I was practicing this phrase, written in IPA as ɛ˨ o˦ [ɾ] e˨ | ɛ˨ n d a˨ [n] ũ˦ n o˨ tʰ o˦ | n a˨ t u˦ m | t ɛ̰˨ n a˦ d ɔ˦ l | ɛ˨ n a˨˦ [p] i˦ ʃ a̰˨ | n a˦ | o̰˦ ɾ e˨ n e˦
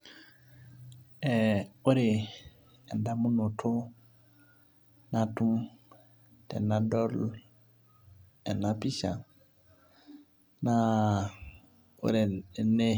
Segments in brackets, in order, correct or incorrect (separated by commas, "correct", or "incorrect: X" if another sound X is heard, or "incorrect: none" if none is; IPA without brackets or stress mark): correct, incorrect: m, correct